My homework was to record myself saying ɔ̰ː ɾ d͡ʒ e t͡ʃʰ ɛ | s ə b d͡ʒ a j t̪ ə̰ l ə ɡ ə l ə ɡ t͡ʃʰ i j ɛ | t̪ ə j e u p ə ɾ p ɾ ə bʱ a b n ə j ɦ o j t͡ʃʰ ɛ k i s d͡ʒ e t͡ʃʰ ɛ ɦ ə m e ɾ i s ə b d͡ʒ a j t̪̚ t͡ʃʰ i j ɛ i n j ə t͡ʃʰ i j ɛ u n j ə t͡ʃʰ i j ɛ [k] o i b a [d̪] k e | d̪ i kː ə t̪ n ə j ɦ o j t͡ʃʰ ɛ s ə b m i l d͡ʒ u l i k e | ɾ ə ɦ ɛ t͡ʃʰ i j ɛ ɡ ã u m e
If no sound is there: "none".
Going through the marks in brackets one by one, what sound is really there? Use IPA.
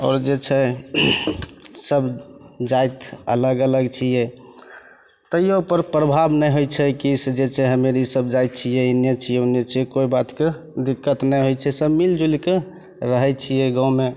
k, t̪

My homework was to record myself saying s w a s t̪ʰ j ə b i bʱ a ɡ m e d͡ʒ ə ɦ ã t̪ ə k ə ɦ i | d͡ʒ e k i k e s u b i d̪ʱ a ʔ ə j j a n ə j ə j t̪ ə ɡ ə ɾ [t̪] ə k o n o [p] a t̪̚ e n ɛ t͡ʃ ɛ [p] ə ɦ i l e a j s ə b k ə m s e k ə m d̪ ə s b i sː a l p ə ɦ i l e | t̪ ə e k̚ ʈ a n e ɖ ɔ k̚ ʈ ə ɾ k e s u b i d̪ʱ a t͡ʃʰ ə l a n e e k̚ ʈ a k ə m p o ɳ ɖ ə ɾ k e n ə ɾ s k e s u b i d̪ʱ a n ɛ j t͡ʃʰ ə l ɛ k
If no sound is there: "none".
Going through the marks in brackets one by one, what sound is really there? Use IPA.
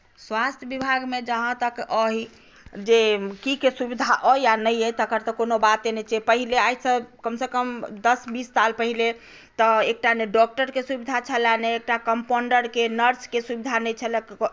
t̪, b, p

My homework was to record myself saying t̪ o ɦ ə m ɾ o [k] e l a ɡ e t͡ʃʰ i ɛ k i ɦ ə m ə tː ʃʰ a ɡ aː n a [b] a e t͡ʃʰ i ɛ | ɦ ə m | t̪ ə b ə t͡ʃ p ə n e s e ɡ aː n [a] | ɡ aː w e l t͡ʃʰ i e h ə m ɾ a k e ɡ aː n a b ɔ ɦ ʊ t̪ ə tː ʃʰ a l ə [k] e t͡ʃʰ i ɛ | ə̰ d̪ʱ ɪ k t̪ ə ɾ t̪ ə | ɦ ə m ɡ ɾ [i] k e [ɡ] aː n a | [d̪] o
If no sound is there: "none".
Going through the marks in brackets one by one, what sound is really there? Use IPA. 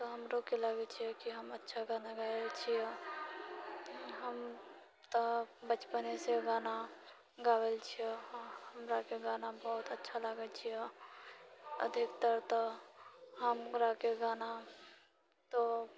k, ɡ, a, ɡ, a, ɡ, t̪

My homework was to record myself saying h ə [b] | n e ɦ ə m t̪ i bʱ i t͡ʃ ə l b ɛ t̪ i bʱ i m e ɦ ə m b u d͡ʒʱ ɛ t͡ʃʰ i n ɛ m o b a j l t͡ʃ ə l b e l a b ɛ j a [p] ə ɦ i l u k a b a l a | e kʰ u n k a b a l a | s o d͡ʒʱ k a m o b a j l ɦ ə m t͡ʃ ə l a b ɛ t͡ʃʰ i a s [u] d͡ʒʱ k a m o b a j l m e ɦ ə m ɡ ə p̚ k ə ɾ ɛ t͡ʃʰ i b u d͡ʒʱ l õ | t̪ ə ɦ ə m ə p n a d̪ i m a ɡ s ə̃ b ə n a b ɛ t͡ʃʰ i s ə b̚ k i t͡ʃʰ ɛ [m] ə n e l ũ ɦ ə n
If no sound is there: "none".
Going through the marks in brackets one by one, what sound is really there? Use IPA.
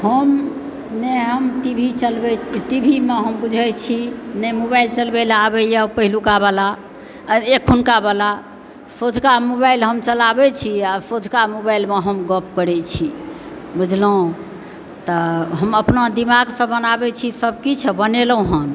m, p, o, b

